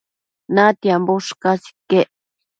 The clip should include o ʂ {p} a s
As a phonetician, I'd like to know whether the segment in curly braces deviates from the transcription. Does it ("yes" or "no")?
yes